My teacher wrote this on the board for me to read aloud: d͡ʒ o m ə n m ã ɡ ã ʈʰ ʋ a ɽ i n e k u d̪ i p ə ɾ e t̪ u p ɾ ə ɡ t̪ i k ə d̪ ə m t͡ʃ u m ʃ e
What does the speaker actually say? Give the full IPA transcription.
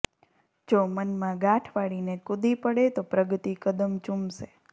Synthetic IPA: d͡ʒ o m ə n m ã ɡ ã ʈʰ ʋ a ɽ i n e k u d̪ i p ə ɽ e t̪ o p ɾ ə ɡ t̪ i k ə d̪ ə m t͡ʃ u m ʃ e